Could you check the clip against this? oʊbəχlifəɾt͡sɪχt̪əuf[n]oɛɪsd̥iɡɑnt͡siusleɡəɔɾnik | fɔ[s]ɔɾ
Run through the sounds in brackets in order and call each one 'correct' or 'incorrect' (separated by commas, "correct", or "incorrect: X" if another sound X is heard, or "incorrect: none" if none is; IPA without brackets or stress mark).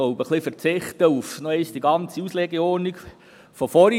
correct, incorrect: f